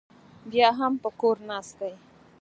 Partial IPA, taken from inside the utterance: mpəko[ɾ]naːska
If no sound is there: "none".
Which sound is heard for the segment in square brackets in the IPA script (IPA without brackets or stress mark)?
ɾ